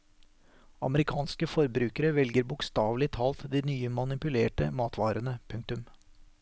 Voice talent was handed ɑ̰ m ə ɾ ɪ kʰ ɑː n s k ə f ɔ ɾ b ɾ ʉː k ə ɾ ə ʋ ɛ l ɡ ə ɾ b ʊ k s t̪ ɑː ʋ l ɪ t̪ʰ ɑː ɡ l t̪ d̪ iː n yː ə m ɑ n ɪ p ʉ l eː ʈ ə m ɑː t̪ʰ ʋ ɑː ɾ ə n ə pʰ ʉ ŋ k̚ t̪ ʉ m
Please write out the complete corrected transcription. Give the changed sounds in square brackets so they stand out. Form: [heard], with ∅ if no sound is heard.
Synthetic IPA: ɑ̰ m ə ɾ ɪ kʰ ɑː n s k ə f ɔ ɾ b ɾ ʉː k ə ɾ ə ʋ ɛ l ɡ ə ɾ b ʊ k s t̪ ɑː ʋ l ɪ t̪ʰ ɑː [∅] l t̪ d̪ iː n yː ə m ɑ n ɪ p ʉ l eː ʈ ə m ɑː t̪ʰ ʋ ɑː ɾ ə n ə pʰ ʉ ŋ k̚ t̪ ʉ m